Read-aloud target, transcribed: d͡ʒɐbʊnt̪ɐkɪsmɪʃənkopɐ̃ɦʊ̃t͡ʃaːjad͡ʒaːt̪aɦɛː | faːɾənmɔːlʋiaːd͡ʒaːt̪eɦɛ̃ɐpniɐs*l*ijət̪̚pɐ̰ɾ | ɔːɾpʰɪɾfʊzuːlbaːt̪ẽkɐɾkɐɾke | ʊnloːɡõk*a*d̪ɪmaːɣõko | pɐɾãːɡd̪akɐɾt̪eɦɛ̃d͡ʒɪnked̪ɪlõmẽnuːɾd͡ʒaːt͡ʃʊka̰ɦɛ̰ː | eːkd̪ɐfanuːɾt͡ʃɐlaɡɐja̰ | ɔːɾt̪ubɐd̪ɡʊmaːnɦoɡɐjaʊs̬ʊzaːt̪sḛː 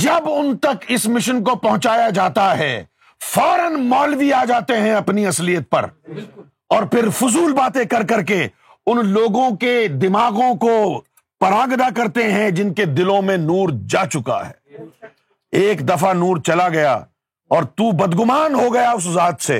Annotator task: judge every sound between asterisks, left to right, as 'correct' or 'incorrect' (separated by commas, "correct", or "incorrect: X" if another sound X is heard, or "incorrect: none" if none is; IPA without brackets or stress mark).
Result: correct, incorrect: e